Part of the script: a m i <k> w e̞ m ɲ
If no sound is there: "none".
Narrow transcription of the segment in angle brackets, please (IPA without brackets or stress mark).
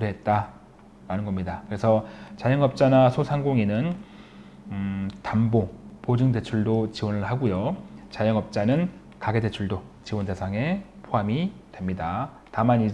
t